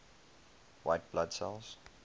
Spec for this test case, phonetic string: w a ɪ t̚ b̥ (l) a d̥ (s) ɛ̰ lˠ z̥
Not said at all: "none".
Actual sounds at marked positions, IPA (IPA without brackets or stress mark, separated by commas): l, s